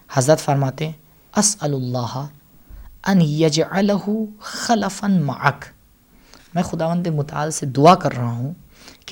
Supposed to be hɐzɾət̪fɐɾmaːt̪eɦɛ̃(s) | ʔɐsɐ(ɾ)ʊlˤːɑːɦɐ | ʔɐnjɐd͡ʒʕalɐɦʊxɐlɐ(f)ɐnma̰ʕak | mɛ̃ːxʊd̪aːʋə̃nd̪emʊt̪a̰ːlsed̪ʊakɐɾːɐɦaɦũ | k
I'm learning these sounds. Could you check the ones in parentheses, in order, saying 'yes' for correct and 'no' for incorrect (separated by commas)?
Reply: no, no, yes